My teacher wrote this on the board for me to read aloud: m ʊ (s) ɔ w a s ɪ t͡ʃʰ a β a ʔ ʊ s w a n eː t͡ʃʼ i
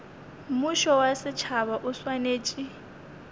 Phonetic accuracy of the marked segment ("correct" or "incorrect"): incorrect